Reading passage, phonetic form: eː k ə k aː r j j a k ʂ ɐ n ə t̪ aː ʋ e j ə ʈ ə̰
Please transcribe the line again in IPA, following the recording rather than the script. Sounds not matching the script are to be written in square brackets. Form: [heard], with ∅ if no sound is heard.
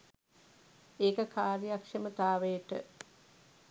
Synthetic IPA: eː k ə k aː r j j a k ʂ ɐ [m] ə t̪ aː ʋ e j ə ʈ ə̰

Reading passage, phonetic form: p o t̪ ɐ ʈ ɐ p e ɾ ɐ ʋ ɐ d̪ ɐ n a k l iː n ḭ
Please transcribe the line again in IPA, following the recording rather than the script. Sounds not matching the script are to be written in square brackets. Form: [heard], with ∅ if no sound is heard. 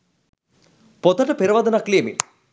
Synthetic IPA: p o t̪ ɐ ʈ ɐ p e ɾ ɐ ʋ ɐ d̪ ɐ n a k l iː [m] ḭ

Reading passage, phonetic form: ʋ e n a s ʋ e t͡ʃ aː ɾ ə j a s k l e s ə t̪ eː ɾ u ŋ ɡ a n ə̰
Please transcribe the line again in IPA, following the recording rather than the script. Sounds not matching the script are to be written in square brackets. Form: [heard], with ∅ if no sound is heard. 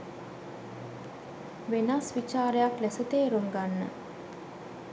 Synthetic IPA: ʋ e n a s ʋ [i] t͡ʃ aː ɾ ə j a [∅] k l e s ə t̪ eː ɾ u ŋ ɡ a [nː] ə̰

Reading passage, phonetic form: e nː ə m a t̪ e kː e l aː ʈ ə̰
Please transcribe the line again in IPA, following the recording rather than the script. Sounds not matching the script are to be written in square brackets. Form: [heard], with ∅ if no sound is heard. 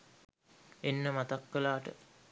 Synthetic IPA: e nː ə m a t̪ [a] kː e l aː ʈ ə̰

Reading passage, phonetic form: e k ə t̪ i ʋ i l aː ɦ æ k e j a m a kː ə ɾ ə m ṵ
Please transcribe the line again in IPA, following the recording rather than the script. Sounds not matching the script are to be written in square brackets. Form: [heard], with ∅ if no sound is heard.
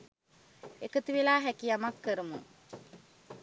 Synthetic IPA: e k ə t̪ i ʋ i l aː ɦ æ k [i] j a m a kː ə ɾ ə m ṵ

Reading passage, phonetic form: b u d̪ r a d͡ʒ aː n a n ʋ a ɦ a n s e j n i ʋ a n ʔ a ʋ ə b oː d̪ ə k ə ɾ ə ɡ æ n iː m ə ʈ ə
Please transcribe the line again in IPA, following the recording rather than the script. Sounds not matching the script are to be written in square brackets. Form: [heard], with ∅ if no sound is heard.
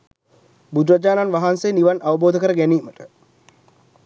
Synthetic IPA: b u d̪ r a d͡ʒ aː n a n ʋ a ɦ a n s e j n i ʋ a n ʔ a ʋ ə b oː d̪ ə k ə ɾ ə ɡ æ n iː m ə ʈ ə

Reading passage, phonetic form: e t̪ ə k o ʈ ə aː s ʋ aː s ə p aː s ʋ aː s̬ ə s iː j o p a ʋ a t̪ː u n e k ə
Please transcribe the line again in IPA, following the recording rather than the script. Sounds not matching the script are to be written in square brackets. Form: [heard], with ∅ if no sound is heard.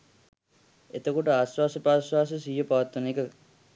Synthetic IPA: e t̪ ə k o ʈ ə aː s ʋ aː s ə p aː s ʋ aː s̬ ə s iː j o p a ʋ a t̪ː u n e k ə

